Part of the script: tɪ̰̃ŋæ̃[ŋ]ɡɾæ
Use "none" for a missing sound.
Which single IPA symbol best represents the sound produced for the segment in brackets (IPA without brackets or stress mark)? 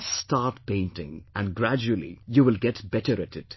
n